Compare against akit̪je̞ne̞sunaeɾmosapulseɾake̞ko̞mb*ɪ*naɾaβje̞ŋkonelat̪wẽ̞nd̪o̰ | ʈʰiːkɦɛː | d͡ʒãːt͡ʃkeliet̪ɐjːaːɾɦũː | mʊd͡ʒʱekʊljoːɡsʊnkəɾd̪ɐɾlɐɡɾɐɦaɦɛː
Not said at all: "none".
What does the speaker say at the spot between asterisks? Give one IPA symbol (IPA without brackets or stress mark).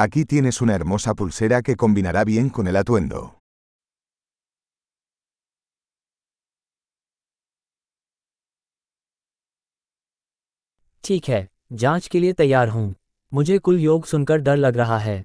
i